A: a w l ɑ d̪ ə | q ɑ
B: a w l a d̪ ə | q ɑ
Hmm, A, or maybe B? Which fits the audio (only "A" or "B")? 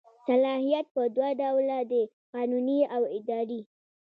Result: B